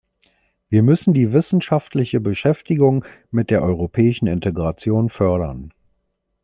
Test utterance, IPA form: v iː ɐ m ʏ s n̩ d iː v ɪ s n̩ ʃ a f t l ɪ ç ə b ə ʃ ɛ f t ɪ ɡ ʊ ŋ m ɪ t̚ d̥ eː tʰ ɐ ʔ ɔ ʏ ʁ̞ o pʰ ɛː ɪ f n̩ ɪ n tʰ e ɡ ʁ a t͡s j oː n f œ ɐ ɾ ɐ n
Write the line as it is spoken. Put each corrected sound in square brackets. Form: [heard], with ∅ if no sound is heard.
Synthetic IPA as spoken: v iː ɐ m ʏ s n̩ d iː v ɪ s n̩ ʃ a f t l ɪ ç ə b ə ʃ ɛ f t ɪ ɡ ʊ ŋ m ɪ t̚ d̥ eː [∅] ɐ ʔ ɔ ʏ ʁ̞ o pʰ ɛː ɪ [ʃ] n̩ ɪ n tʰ e ɡ ʁ a t͡s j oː n f œ ɐ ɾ ɐ n